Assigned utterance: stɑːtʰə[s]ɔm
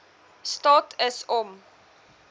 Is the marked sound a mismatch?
no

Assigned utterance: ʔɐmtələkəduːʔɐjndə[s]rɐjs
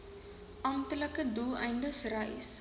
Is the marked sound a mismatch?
no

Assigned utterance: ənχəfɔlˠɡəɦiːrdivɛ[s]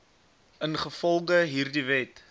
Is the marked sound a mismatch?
yes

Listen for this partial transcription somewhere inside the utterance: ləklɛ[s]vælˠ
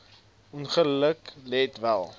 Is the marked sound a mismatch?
yes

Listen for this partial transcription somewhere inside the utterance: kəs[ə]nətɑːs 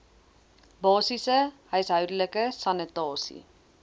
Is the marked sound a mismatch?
yes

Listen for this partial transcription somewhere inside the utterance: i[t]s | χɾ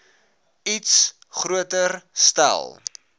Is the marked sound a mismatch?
no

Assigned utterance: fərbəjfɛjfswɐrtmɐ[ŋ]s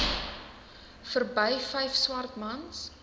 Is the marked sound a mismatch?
yes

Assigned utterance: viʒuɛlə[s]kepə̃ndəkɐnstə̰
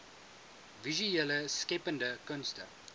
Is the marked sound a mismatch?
no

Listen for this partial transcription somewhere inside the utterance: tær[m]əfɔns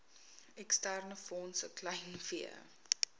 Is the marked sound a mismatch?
yes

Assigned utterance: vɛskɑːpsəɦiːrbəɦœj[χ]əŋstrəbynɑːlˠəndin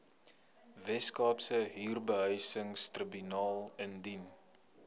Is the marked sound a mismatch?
yes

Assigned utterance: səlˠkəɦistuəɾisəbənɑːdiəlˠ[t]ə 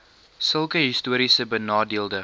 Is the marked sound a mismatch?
yes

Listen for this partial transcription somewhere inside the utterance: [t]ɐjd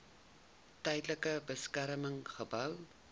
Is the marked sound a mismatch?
no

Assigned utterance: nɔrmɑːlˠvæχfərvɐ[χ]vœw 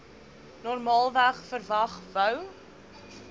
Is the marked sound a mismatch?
no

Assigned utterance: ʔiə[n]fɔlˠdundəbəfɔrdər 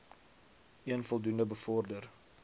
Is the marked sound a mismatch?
no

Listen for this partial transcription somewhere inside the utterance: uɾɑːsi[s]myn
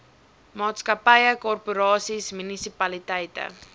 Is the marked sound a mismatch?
no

